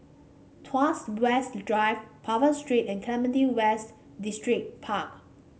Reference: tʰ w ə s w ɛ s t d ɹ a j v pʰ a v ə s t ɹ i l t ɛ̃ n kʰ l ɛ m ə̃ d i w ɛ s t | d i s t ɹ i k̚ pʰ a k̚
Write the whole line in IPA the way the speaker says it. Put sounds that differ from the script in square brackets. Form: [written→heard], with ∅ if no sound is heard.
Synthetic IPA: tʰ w [ə→a] s w ɛ s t d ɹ a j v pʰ a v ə s t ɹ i [l→∅] t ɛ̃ n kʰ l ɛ m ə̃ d i w ɛ s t | d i s t ɹ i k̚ pʰ a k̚

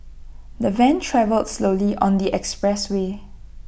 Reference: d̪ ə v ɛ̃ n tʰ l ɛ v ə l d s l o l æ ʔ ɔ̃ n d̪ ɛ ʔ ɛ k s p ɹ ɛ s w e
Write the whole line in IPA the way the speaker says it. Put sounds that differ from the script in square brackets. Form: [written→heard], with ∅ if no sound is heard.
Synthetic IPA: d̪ ə v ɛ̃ n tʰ [l→ɹ] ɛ v ə l d s l o l [æ→i] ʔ ɔ̃ n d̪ [ɛ→i] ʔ ɛ k s p ɹ ɛ s w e

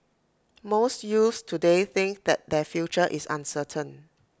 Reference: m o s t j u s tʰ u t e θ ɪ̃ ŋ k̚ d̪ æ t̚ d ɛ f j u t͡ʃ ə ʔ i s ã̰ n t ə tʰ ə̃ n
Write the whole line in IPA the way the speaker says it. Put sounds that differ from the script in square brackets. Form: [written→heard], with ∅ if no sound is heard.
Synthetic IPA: m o s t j u s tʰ u [t→d] e θ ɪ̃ ŋ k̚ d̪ [æ→ɛ] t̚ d ɛ f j u t͡ʃ ə ʔ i s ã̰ n [t→s] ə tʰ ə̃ n

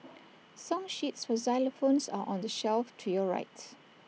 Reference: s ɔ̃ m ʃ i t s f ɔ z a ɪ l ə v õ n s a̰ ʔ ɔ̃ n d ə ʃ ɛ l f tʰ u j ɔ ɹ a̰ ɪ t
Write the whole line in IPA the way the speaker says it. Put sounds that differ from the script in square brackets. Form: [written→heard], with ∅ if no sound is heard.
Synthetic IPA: s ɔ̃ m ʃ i t s f ɔ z a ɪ l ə [v→f] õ n s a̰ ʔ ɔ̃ n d ə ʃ ɛ l f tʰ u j ɔ ɹ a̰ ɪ t

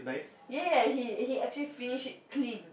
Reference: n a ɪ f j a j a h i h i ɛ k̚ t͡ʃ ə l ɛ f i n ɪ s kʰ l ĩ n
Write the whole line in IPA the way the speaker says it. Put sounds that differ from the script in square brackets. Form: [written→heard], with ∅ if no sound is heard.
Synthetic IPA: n a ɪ [f→s] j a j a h i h i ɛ k̚ t͡ʃ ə l [ɛ→i] f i n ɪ [s→ʃ] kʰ l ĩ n

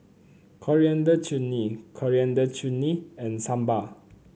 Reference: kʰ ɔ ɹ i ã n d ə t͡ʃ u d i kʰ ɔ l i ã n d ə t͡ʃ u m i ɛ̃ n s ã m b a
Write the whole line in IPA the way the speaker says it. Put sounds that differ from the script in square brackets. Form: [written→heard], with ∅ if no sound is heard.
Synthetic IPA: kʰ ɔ ɹ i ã n d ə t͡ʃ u [d→n] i kʰ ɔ [l→ɹ] i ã n d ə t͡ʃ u [m→n] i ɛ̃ n s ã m b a

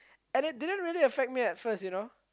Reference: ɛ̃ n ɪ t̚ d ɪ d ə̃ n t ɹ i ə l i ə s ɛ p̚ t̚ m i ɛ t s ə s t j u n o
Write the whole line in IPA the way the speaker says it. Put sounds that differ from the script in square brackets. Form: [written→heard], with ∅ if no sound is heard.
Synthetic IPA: ɛ̃ n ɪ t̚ d ɪ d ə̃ n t ɹ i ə l i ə [s→f] ɛ [p̚→k̚] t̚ m i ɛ t [s→f] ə s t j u n o

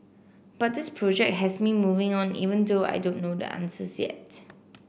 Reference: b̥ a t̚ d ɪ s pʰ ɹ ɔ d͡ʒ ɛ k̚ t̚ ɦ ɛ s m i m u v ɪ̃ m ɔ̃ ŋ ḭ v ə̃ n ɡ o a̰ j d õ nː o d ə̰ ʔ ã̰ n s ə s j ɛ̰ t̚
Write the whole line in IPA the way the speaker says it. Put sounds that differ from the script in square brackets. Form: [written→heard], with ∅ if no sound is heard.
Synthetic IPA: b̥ a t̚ d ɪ s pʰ ɹ ɔ d͡ʒ ɛ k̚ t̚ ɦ ɛ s m i m u v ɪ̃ [m→ŋ] ɔ̃ [ŋ→n] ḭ v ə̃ n [ɡ→d] o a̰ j d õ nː o d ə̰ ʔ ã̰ n s ə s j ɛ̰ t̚

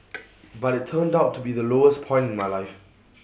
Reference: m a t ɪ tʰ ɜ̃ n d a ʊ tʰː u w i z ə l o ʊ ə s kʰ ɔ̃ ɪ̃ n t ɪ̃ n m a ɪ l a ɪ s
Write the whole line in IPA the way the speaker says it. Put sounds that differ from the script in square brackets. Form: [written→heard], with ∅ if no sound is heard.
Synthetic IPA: [m→b] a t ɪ tʰ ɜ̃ n d a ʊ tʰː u [w→b] i [z→ð] ə l o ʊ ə s [kʰ→pʰ] ɔ̃ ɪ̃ n t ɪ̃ n m a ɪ l a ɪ [s→f]

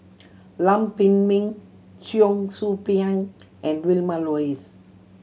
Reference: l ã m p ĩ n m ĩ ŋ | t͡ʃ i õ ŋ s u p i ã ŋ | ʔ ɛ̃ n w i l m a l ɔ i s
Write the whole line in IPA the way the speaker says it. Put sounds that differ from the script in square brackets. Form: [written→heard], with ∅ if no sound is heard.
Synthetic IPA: l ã m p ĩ n m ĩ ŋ | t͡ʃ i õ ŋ s u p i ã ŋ | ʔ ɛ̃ n w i l m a l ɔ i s

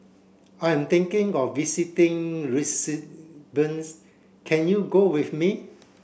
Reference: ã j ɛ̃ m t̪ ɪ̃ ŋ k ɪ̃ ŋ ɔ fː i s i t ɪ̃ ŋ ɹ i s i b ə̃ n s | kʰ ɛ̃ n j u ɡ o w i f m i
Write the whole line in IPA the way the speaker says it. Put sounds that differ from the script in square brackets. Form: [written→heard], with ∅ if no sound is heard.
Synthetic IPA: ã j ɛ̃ m t̪ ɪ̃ ŋ k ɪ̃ ŋ ɔ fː i s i t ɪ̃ ŋ ɹ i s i b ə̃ n s | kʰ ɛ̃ n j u ɡ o w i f m i

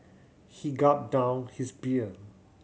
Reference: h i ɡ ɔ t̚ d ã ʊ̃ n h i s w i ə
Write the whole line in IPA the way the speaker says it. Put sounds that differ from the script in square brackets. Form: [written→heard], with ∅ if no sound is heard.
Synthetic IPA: h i ɡ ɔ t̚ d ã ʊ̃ n h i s [w→b] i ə

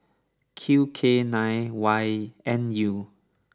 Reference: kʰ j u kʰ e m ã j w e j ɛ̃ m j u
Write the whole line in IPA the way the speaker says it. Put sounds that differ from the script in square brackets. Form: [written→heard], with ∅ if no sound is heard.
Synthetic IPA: kʰ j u kʰ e [m→n] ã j w [e→a] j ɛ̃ [m→n] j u

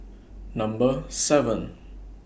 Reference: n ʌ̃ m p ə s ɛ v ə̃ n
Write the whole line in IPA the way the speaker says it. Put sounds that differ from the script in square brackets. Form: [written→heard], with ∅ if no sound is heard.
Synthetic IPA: n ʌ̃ m [p→b] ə s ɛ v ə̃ n

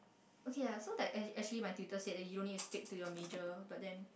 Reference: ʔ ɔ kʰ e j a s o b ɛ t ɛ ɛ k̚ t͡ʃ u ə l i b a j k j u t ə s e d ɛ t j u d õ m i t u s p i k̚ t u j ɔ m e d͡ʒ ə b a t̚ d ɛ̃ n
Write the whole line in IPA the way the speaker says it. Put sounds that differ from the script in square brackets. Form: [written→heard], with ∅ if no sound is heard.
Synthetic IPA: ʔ [ɔ→o] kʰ e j a s o [b→d] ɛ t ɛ ɛ k̚ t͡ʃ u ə l i [b→m] a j [k→t] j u t ə s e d ɛ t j u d õ [m→n] i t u s p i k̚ t u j ɔ m e d͡ʒ ə b a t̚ d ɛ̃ n

